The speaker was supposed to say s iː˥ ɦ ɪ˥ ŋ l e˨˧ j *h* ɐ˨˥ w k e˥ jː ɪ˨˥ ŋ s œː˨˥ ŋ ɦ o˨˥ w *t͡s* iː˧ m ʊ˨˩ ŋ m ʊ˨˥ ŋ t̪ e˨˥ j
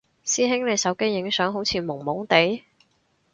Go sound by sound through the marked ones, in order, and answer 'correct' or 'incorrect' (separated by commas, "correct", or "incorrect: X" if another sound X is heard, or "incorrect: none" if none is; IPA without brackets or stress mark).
incorrect: s, incorrect: t͡sʰ